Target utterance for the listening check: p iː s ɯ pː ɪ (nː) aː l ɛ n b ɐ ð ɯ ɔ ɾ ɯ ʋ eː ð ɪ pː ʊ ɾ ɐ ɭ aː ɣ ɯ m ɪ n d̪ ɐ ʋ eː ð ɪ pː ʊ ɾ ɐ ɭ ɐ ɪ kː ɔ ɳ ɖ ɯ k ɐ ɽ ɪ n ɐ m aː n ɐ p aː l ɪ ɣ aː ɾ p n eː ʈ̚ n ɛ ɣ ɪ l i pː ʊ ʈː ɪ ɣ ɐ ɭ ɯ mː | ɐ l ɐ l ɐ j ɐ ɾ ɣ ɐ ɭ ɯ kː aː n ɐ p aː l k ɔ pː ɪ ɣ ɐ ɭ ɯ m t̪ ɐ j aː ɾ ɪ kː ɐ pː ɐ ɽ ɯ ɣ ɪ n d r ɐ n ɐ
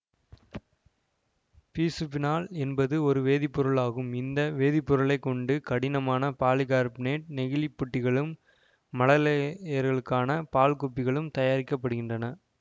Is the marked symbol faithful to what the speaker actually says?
no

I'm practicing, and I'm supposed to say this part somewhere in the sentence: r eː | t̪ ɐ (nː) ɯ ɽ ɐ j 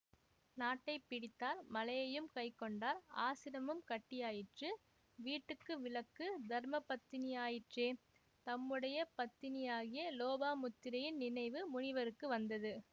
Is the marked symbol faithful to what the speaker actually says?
no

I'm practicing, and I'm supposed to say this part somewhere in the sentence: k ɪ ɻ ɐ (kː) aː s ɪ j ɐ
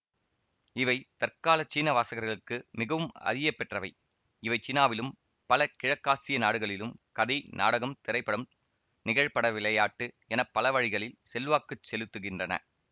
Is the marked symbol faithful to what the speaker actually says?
yes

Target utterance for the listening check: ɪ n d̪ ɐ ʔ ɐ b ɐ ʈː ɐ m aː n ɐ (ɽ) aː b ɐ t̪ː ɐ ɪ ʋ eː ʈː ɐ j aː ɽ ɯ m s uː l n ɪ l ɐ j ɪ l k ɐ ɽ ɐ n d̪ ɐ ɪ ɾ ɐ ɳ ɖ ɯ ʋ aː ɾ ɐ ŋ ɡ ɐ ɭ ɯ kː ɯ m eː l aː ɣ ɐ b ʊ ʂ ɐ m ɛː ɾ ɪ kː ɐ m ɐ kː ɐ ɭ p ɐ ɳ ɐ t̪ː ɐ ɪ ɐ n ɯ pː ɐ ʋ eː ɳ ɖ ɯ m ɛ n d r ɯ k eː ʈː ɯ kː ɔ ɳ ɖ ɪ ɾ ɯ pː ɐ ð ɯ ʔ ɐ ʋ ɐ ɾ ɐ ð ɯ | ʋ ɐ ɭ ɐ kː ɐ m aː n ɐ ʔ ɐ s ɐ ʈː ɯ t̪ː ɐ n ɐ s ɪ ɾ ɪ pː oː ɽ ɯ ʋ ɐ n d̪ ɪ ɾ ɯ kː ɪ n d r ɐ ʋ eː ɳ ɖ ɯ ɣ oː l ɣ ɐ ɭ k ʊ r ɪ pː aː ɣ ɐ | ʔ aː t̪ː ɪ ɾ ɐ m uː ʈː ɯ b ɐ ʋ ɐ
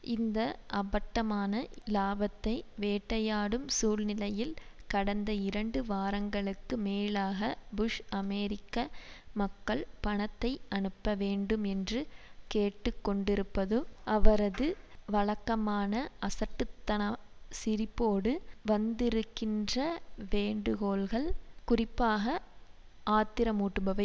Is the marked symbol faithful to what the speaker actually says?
no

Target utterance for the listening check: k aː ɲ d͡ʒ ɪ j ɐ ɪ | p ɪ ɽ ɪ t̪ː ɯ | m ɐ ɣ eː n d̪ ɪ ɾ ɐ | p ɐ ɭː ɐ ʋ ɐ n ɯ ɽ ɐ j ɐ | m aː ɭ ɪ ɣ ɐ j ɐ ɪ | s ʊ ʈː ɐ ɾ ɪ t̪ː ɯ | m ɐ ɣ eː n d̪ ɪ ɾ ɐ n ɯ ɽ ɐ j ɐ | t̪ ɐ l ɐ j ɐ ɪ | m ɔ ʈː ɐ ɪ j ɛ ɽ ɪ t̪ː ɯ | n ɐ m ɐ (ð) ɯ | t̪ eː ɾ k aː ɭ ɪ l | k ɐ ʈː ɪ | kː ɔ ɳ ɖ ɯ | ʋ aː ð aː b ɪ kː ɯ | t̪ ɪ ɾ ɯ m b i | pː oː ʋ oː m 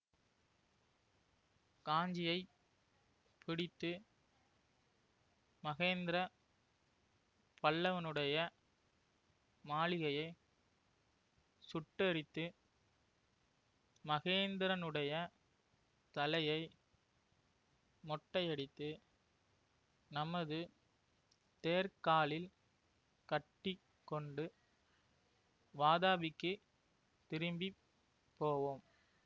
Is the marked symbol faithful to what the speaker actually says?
yes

